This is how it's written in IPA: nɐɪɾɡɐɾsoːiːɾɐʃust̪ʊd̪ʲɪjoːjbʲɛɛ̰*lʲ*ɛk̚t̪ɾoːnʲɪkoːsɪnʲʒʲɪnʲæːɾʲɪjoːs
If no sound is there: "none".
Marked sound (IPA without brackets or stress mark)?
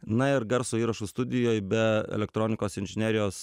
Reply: lʲ